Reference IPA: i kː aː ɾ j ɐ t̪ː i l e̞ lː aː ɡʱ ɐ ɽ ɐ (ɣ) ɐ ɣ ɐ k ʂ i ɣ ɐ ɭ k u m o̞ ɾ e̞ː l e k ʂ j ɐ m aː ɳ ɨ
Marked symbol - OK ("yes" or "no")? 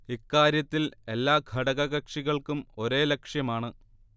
yes